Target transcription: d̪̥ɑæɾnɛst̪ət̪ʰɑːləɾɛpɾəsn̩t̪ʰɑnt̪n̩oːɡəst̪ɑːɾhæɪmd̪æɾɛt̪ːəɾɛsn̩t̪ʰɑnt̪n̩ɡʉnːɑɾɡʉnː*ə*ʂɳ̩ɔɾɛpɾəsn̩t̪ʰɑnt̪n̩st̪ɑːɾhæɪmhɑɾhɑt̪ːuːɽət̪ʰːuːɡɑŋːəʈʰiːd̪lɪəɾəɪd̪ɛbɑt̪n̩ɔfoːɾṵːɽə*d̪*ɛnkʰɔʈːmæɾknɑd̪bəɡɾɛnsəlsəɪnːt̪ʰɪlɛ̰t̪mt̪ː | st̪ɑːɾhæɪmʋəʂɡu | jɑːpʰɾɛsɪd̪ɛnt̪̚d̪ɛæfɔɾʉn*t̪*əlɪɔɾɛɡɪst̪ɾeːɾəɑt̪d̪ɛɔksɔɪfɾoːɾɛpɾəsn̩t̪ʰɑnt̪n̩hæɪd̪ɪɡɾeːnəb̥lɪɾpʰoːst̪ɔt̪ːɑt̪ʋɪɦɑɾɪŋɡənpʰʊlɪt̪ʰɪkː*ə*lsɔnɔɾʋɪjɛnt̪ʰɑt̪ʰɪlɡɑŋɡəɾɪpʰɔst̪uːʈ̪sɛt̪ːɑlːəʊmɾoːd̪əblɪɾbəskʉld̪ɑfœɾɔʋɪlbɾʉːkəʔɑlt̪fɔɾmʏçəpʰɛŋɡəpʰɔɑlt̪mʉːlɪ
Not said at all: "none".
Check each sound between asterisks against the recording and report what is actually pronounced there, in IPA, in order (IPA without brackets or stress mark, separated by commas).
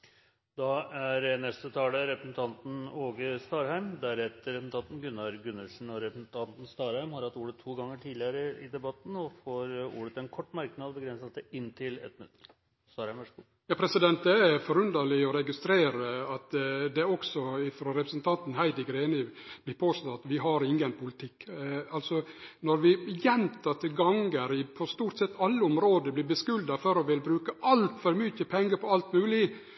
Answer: ə, t̪, d̪, ɑ